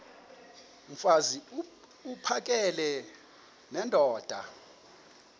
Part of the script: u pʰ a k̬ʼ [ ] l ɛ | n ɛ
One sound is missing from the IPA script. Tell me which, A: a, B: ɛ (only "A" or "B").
B